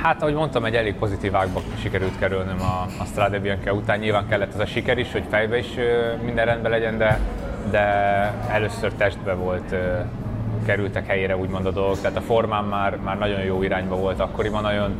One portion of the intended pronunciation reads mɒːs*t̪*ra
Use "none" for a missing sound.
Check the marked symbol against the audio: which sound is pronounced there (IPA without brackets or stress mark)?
t̪